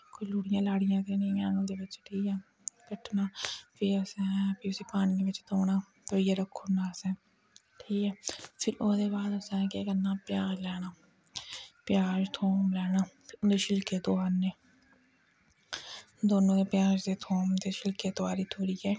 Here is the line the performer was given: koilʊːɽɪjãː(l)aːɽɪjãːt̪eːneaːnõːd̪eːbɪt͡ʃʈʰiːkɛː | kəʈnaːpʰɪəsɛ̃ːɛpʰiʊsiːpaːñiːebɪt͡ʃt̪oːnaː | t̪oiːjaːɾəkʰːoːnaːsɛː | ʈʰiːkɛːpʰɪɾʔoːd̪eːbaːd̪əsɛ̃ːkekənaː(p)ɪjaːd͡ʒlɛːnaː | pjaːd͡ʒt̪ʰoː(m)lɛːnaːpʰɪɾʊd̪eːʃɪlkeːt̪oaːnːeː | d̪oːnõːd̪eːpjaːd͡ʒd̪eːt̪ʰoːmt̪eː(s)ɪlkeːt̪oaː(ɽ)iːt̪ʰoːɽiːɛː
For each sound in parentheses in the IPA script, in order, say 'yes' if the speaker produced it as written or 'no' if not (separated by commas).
yes, yes, yes, no, no